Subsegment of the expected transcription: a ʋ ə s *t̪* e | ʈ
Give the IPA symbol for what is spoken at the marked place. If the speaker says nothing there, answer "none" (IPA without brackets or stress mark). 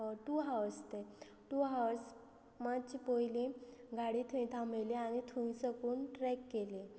t̪